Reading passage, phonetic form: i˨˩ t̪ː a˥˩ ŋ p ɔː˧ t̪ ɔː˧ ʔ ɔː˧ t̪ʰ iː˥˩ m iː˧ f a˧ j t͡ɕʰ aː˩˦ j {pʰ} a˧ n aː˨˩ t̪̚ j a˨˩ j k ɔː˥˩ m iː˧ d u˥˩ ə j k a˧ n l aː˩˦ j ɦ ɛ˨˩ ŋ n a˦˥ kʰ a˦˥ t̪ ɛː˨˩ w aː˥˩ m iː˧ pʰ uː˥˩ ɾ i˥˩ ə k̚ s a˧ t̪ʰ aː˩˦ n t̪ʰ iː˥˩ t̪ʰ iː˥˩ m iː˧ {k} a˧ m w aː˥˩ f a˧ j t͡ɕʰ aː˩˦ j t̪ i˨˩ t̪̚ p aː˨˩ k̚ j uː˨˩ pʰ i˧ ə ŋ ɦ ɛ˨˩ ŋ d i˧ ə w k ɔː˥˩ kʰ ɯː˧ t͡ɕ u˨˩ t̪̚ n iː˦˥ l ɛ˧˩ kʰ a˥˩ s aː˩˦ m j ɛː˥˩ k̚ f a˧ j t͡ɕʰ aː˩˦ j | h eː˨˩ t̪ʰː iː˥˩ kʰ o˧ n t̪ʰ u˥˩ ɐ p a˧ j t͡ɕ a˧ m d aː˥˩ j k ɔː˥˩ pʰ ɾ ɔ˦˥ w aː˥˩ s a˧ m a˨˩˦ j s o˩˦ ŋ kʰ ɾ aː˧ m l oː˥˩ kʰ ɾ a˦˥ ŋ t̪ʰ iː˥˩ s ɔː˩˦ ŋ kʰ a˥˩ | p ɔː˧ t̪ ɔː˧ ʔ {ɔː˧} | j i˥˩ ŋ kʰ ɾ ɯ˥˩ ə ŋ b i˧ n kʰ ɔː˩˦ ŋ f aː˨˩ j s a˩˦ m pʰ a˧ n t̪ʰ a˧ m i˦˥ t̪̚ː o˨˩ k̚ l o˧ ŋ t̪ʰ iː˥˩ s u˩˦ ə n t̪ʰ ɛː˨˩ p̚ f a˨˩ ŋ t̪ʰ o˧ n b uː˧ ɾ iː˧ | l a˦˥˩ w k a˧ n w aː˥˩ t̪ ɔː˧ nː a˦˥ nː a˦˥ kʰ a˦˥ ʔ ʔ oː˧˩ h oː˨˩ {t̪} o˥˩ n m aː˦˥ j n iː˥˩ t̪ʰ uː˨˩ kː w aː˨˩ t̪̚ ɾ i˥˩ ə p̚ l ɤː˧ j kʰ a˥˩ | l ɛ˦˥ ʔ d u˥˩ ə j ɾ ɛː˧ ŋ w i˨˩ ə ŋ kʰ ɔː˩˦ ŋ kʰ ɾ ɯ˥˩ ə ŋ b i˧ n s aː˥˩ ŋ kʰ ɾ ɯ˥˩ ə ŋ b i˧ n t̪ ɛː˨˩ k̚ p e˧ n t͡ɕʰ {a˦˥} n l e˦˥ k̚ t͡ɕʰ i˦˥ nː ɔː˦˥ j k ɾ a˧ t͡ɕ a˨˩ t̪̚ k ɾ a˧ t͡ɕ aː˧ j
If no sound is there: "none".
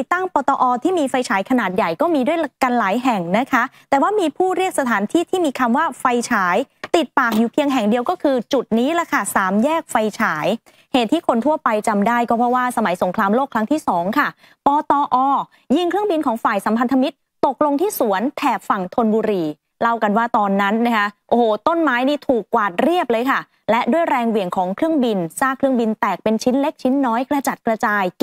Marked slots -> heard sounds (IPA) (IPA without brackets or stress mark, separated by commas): kʰ, kʰ, ɔː˧, t̪, i˦˥